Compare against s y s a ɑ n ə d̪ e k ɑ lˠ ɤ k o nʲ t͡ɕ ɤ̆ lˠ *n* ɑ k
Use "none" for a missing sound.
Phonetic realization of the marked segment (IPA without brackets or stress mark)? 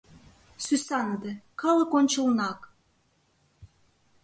n